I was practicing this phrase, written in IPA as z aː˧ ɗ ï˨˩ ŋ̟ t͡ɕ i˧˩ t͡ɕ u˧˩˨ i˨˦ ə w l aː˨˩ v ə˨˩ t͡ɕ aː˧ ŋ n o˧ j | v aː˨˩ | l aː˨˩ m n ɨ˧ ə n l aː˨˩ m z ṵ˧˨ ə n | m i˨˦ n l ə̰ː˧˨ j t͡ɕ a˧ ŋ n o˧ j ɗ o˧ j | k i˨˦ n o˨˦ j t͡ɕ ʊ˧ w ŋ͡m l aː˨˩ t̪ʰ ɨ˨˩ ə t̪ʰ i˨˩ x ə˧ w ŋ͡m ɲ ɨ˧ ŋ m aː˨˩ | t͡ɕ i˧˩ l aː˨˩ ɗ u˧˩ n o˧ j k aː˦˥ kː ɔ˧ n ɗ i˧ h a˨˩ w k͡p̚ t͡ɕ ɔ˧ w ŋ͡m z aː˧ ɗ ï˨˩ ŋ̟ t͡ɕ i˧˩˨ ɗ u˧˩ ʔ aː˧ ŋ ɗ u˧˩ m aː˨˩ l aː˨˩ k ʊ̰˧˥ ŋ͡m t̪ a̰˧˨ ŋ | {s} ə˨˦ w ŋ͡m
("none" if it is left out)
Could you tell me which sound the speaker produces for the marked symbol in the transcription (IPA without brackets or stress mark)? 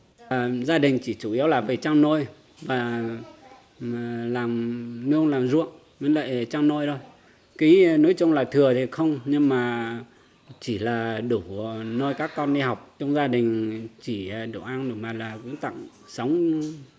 s